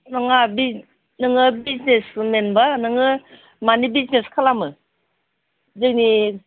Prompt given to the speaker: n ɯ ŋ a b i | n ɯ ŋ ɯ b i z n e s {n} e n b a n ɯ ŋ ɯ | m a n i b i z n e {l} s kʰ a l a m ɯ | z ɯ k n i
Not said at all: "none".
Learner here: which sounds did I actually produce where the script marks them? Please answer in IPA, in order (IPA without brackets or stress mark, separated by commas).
m, none